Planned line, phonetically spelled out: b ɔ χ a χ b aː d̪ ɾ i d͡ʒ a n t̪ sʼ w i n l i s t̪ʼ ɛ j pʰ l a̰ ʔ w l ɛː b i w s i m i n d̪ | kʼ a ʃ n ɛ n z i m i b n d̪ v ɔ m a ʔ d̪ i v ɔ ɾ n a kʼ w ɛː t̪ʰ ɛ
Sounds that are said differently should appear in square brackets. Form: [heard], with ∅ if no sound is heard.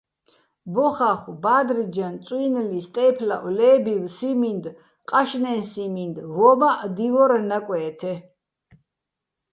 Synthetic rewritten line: b ɔ χ a χ b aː d̪ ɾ i d͡ʒ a n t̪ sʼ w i n l i s t̪ʼ ɛ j pʰ l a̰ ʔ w l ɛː b i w s i m i n d̪ | [qʼ] a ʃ n ɛ n [s] i m i [∅] n d̪ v ɔ m a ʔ d̪ i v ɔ ɾ n a kʼ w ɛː t̪ʰ ɛ